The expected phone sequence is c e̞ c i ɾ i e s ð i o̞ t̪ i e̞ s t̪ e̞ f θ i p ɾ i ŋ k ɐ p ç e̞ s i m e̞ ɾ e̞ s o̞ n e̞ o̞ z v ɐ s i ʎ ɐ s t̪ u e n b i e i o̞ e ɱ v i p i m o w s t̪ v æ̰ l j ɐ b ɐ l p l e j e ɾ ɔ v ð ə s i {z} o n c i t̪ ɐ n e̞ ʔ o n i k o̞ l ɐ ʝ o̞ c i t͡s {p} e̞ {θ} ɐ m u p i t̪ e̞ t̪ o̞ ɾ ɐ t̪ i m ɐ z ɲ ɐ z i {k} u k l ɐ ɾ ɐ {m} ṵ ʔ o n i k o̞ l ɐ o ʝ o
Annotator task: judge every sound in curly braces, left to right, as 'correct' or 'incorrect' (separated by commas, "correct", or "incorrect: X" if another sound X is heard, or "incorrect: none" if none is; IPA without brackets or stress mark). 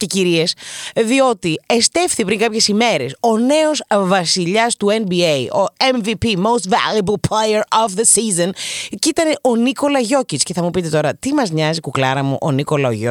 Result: correct, incorrect: c, correct, correct, correct